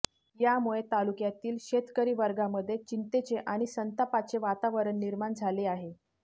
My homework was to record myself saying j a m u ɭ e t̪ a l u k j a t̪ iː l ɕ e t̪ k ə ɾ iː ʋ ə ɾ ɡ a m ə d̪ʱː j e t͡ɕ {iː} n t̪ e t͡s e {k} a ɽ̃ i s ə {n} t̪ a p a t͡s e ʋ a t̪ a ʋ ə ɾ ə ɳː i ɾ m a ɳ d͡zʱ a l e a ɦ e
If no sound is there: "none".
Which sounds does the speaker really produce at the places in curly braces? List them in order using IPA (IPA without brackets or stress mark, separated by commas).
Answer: i, ʔ, n